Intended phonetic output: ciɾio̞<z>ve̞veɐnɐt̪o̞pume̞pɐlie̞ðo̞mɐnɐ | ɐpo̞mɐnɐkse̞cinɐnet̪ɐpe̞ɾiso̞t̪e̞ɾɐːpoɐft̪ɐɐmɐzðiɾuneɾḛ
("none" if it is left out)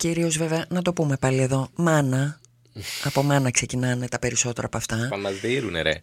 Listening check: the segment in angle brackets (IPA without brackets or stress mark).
z